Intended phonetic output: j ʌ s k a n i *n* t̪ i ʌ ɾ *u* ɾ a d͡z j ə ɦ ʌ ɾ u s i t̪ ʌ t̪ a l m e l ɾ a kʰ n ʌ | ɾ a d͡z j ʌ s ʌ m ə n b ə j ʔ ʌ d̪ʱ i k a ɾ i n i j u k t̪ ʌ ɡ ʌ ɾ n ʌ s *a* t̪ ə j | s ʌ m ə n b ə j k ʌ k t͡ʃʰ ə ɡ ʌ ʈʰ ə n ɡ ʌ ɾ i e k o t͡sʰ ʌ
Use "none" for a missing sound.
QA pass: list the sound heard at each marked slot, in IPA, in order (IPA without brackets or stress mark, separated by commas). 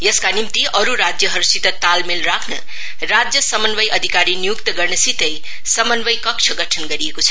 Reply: m, u, i